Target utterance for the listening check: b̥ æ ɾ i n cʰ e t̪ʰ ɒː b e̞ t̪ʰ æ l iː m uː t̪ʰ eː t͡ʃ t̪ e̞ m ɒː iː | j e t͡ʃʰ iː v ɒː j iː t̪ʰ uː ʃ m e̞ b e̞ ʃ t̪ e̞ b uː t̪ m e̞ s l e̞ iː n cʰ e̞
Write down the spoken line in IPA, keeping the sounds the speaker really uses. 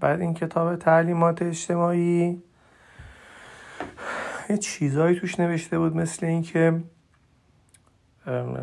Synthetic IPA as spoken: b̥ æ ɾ i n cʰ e t̪ʰ ɒː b e̞ t̪ʰ æ l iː m ɒː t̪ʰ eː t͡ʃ t̪ e̞ m ɒː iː | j e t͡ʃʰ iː z ɒː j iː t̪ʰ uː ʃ n e̞ v e̞ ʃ t̪ e̞ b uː d̪ m e̞ s l e̞ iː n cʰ e̞